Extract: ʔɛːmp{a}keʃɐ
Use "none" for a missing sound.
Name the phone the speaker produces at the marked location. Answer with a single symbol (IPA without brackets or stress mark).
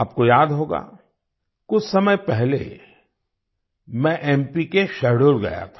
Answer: i